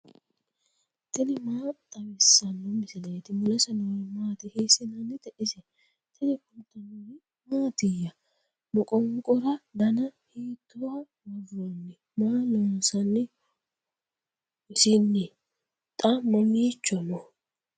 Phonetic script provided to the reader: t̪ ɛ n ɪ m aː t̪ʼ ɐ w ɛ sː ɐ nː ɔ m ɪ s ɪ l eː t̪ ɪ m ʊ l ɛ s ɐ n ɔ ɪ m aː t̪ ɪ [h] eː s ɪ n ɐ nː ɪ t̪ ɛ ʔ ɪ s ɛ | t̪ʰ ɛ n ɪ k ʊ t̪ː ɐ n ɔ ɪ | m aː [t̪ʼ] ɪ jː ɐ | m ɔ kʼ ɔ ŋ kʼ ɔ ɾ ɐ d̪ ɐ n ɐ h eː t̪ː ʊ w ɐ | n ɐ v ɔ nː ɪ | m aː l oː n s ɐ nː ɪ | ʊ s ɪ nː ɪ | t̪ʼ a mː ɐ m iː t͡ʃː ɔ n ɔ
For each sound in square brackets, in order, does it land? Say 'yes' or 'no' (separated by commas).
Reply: yes, no